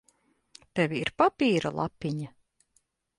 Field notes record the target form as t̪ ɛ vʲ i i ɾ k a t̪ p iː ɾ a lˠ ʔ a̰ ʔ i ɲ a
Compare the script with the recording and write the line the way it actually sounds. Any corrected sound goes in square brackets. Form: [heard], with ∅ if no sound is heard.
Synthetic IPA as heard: t̪ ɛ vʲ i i ɾ [p] a [∅] p iː ɾ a lˠ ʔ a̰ [p] i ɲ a